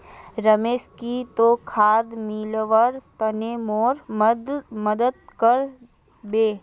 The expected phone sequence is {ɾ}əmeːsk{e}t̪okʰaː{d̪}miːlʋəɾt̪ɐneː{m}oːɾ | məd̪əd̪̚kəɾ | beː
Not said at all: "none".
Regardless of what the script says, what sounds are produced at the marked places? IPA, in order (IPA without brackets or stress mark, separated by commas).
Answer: ɾ, i, d̪, m